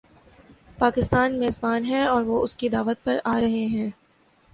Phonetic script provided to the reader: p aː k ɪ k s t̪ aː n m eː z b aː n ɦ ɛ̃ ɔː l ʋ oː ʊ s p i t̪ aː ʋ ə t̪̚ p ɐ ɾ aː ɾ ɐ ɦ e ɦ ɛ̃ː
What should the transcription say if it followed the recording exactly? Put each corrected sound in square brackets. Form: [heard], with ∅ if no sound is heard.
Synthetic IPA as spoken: p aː k ɪ [∅] s t̪ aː n m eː z b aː n ɦ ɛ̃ ɔː [ɾ] ʋ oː ʊ s [k] i [d̪] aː ʋ ə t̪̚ p ɐ ɾ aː ɾ ɐ ɦ e ɦ ɛ̃ː